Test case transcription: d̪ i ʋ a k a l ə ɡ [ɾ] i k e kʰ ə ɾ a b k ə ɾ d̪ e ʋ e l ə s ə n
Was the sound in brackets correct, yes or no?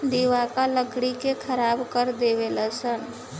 no